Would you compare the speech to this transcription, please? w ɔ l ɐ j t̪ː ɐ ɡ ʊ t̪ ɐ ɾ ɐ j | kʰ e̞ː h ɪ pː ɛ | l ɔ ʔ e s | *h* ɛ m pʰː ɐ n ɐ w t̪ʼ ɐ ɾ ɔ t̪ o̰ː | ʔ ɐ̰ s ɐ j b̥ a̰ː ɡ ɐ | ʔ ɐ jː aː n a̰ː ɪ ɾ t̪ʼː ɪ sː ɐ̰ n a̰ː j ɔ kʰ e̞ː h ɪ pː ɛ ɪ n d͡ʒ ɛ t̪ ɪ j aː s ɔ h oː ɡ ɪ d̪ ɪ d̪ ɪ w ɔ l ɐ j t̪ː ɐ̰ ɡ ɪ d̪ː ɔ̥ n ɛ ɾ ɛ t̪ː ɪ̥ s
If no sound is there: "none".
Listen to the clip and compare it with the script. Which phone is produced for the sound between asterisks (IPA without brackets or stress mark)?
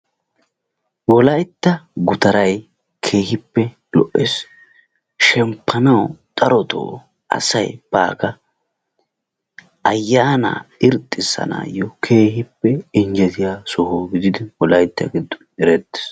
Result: ʃ